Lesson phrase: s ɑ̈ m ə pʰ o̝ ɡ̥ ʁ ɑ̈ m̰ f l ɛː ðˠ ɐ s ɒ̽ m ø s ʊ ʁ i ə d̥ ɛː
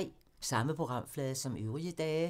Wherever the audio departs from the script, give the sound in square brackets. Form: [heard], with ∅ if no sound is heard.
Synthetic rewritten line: s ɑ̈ m ə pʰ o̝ ɡ̥ ʁ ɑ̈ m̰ f l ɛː ðˠ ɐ s ɒ̽ m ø [∅] ʊ ʁ i ə d̥ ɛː